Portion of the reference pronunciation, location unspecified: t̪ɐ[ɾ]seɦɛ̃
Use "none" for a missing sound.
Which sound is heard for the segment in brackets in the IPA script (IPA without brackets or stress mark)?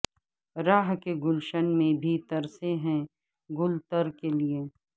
ɾ